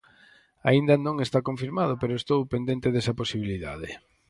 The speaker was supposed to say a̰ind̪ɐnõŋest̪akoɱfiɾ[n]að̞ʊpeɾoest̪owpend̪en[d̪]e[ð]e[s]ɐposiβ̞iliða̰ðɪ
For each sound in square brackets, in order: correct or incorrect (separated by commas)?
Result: incorrect, incorrect, correct, correct